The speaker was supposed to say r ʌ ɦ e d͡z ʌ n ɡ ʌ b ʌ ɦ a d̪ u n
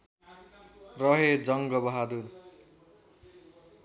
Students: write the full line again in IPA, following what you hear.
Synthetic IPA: r ʌ ɦ e d͡z ʌ ŋ ɡ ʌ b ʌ ɦ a d̪ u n